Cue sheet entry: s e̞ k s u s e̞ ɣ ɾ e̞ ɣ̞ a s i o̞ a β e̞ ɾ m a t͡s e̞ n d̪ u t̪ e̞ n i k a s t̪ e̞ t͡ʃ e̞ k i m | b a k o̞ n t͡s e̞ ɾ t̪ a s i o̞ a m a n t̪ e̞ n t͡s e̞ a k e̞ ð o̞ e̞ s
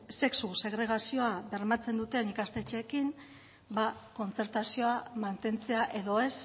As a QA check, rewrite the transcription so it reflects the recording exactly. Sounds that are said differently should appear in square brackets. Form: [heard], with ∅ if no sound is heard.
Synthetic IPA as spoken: s e̞ k s u s e̞ ɣ ɾ e̞ ɣ̞ a s i o̞ a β e̞ ɾ m a t͡s e̞ n d̪ u t̪ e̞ n i k a s t̪ e̞ t͡ʃ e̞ k i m | b a k o̞ n t͡s e̞ ɾ t̪ a s i o̞ a m a n t̪ e̞ n t͡s e̞ a [ʔ] e̞ ð o̞ e̞ s